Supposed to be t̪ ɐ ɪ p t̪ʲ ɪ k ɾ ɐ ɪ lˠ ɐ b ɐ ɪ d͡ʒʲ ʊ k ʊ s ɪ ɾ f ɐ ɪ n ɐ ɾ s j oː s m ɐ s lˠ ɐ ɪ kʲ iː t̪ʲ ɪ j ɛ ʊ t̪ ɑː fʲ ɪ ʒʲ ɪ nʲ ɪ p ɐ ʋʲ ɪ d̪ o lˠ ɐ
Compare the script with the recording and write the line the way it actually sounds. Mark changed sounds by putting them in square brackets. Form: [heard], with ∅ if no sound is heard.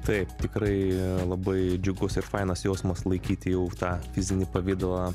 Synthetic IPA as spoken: t̪ ɐ ɪ p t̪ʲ ɪ k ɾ ɐ ɪ lˠ ɐ b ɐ ɪ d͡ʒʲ ʊ [ɡ] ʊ s ɪ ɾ f ɐ ɪ n ɐ [∅] s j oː s m ɐ s lˠ ɐ ɪ kʲ iː t̪ʲ ɪ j ɛ ʊ t̪ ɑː fʲ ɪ [zʲ] ɪ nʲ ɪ p ɐ ʋʲ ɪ d̪ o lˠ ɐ